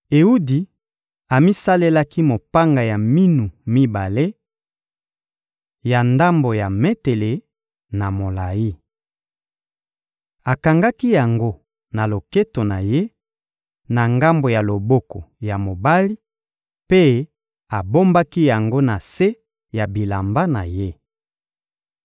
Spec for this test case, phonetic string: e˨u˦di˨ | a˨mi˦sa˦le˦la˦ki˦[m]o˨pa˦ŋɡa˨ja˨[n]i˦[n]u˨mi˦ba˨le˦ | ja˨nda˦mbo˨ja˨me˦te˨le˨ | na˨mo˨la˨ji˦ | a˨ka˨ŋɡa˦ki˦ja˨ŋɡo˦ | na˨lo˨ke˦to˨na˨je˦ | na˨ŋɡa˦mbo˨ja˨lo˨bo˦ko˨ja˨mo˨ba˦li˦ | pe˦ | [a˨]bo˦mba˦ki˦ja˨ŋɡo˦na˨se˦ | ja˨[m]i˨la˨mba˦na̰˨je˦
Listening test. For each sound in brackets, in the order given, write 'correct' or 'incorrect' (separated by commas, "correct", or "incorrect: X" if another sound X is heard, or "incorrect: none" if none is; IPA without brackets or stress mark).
correct, incorrect: m, correct, correct, incorrect: b